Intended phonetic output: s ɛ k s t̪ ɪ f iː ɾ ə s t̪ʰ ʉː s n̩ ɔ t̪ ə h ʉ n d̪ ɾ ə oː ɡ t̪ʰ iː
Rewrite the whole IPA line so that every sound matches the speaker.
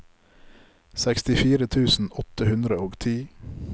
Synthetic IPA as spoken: s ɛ k s t̪ ɪ f iː ɾ ə t̪ʰ ʉː s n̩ ɔ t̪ ə h ʉ n d̪ ɾ ə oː ɡ t̪ʰ iː